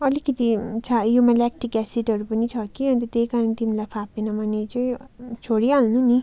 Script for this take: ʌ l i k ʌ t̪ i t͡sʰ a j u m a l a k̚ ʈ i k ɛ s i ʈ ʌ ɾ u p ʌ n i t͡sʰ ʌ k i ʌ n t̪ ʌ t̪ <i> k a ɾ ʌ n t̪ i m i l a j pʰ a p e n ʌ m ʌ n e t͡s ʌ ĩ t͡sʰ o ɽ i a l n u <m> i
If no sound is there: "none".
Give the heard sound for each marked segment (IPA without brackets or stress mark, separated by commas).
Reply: e, n